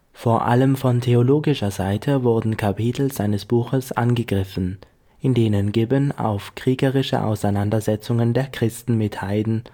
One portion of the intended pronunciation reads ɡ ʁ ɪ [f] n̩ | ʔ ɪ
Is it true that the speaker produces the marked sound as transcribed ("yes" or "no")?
yes